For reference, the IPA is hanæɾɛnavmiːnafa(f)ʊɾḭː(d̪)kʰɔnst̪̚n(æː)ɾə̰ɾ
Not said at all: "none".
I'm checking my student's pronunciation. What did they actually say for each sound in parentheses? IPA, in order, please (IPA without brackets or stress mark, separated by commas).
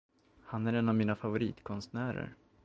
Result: v, t̪, æː